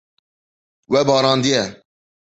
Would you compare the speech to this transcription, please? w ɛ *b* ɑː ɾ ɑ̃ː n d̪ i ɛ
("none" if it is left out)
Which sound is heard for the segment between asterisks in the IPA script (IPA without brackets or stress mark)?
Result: b